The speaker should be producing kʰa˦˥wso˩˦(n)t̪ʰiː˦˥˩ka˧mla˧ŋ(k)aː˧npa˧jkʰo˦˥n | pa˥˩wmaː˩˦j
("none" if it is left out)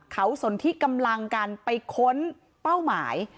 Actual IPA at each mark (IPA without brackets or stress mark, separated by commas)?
n, k